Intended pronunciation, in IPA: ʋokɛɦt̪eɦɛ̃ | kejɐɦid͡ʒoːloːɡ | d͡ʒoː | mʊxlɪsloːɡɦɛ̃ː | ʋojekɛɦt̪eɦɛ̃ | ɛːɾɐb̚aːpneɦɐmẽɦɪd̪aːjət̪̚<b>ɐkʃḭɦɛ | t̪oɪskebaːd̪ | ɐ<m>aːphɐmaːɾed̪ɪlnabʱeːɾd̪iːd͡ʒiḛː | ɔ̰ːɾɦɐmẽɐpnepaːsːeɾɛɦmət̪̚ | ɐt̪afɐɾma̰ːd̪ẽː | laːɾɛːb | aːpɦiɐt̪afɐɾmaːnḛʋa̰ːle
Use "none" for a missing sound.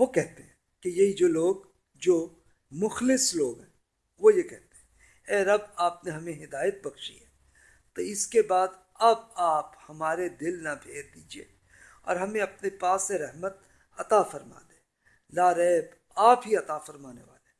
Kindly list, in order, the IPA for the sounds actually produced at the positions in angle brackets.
b, b

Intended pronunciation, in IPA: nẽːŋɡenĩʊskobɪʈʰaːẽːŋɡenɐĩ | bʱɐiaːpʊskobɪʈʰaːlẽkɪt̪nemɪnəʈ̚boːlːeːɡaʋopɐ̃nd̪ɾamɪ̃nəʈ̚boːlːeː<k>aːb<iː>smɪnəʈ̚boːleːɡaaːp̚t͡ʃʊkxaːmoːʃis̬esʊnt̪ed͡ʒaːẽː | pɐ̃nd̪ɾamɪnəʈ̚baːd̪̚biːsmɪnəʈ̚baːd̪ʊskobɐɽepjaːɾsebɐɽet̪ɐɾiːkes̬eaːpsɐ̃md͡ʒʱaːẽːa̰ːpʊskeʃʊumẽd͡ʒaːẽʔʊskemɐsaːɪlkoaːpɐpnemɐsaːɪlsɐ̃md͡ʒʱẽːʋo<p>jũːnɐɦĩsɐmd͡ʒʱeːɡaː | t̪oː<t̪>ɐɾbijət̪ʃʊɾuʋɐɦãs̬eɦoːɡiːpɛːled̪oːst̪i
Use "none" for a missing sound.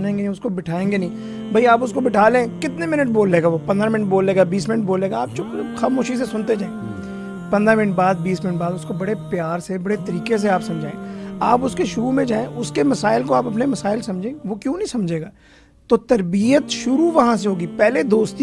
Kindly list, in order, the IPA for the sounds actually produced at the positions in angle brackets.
ɡ, iː, k, t̪

